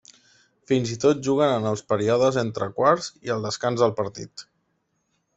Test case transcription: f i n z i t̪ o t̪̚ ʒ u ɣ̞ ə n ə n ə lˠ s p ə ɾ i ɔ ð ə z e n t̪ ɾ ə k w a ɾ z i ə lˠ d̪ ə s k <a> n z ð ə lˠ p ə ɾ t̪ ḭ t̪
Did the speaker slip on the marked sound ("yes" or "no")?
no